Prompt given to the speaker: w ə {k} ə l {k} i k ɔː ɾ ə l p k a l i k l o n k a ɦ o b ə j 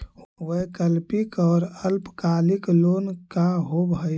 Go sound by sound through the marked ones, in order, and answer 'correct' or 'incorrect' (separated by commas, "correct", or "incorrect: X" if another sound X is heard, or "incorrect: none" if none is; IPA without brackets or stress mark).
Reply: correct, incorrect: p